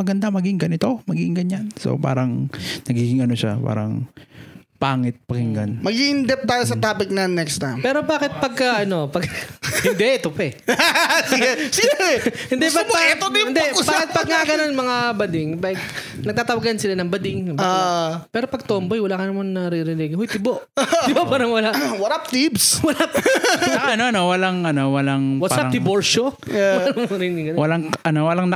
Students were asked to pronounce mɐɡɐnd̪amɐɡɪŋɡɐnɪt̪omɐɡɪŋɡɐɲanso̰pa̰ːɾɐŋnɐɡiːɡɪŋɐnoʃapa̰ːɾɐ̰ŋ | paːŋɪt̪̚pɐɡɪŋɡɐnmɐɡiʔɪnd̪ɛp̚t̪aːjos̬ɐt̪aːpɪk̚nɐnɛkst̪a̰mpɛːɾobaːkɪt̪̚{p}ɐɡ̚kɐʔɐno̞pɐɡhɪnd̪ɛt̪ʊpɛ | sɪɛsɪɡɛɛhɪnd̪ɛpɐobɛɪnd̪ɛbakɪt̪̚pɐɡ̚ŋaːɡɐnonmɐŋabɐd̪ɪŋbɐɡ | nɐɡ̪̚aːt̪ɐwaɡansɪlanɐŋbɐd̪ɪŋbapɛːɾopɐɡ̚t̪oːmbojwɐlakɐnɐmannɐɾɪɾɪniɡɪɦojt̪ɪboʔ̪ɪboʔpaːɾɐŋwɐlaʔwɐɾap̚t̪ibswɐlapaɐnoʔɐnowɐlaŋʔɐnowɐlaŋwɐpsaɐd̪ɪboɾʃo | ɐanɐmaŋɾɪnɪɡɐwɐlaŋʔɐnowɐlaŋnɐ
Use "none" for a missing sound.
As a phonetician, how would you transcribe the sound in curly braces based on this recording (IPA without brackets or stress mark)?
p